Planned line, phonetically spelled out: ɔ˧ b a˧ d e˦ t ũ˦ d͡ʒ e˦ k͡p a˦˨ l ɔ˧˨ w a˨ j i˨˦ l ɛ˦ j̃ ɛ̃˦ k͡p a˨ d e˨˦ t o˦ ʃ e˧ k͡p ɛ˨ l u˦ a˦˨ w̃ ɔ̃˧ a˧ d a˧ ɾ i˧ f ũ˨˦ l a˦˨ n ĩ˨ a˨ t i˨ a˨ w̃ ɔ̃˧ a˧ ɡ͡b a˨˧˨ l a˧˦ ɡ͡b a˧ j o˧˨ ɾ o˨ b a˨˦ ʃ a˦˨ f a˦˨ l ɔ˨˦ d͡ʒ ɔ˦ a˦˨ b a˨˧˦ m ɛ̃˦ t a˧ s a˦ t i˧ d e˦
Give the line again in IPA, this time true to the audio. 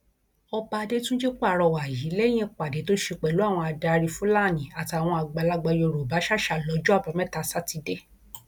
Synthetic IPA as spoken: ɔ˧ b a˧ d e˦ t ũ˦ d͡ʒ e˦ k͡p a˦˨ ɾ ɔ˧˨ w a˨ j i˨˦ l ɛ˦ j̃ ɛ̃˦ k͡p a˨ d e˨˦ t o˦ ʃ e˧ k͡p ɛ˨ l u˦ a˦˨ w̃ ɔ̃˧ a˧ d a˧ ɾ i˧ f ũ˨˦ l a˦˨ n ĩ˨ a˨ t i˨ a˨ w̃ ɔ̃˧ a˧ ɡ͡b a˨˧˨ l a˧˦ ɡ͡b a˧ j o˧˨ ɾ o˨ b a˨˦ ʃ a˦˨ ʃ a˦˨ l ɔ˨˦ d͡ʒ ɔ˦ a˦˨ b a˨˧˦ m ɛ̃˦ t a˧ s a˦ t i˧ d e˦